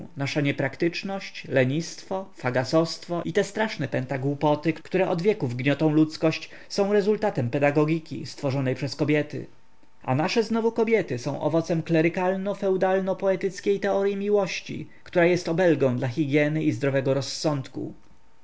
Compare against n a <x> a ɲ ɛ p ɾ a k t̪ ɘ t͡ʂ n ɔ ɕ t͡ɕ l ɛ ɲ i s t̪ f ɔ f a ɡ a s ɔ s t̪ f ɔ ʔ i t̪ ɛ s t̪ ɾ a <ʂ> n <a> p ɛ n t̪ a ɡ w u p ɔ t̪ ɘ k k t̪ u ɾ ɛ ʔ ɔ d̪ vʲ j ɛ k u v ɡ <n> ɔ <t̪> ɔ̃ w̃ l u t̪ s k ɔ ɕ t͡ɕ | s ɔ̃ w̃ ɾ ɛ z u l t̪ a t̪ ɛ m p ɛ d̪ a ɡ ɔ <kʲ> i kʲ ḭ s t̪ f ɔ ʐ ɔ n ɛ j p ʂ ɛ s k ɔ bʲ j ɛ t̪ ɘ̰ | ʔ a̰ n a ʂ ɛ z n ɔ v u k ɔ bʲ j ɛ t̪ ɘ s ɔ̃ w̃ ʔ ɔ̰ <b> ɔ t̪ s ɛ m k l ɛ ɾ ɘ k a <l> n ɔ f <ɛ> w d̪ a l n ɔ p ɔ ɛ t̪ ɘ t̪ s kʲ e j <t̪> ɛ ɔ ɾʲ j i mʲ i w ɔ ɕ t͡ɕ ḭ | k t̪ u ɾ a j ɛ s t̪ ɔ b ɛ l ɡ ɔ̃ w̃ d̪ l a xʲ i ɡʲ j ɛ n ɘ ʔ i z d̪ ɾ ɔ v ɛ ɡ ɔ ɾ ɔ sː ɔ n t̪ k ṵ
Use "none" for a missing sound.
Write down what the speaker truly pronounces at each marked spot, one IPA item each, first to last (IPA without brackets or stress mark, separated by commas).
ʂ, ʂ, ɛ, ɲ, t̪, ɡʲ, v, l, ɛ, t̪